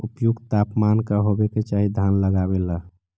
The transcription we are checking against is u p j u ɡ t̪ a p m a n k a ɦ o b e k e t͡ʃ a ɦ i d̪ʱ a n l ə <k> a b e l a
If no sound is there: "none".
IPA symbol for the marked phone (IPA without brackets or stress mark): ɡ